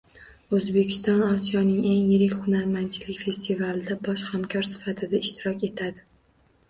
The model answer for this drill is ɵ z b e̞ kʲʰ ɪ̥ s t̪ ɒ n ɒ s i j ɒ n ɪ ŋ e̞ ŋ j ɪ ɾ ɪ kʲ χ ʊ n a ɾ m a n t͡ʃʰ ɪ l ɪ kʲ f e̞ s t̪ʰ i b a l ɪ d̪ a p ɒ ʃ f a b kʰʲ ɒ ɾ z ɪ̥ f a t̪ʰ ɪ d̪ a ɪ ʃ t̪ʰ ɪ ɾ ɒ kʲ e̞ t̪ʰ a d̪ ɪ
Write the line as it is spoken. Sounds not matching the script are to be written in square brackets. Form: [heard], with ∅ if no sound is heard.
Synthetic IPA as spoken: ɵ z b e̞ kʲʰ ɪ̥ s t̪ ɒ n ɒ s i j ɒ n ɪ ŋ e̞ ŋ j ɪ ɾ ɪ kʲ χ ʊ n a ɾ m a n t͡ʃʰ ɪ l ɪ kʲ f e̞ s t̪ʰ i [v] a l ɪ d̪ a [b] ɒ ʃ [h] a [m] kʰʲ ɒ ɾ [s] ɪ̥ f a t̪ʰ ɪ d̪ a ɪ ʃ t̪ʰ ɪ ɾ ɒ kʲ e̞ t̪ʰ a d̪ ɪ